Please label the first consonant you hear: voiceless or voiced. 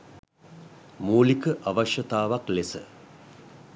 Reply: voiced